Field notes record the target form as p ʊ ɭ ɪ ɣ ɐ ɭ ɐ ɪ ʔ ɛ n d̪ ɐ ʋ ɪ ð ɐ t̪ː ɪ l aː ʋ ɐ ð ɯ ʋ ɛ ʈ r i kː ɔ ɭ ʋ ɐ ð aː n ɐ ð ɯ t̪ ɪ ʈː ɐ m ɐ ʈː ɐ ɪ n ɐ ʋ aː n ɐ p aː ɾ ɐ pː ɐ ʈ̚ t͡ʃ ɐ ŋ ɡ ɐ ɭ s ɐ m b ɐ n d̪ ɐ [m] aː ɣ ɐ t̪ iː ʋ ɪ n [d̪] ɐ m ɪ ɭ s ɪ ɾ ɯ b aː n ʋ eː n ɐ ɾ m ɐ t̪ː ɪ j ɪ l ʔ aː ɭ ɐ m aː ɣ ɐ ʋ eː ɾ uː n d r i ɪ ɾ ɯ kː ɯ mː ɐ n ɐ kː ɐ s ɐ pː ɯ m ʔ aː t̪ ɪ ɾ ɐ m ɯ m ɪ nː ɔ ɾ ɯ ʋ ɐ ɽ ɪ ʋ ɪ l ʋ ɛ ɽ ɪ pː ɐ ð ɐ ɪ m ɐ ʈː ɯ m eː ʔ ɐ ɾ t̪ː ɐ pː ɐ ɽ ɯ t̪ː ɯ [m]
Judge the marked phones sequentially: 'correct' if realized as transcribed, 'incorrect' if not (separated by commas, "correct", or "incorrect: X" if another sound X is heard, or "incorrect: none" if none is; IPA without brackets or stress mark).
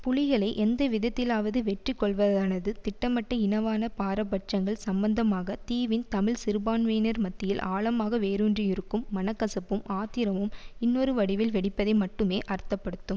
correct, incorrect: t̪, correct